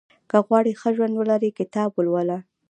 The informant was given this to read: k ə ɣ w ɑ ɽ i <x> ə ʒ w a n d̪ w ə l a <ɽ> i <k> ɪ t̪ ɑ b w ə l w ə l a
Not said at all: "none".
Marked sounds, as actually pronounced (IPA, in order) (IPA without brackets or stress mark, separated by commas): x, ɾ, k